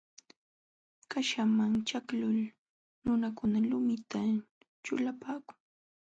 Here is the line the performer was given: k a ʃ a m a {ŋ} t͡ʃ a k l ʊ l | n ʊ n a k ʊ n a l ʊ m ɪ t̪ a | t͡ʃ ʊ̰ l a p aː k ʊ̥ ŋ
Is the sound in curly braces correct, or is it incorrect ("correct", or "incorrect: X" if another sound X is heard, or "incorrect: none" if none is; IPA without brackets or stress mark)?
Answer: correct